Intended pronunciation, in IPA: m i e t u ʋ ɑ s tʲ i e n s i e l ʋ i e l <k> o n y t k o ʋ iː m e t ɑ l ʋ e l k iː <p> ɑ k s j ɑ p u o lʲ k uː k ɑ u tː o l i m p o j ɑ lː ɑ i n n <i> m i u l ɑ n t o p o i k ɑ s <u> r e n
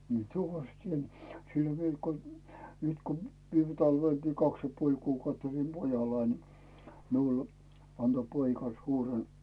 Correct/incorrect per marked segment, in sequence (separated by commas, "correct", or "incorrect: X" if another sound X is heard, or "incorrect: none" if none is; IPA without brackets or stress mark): correct, incorrect: k, correct, incorrect: uː